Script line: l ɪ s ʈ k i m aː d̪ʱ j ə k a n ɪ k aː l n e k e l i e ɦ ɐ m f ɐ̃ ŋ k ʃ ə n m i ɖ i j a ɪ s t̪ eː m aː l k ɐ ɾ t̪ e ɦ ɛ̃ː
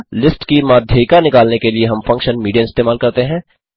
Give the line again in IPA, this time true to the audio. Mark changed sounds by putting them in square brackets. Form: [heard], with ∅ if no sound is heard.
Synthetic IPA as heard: l ɪ s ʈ k i m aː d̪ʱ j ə k a n ɪ k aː l n e k e l i e ɦ ɐ m f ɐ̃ ŋ k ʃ ə n m [iː] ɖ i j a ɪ s t̪ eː m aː l k ɐ ɾ t̪ e ɦ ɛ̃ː